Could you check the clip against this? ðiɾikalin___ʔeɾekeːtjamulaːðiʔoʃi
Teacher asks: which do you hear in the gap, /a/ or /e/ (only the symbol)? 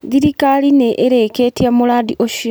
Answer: e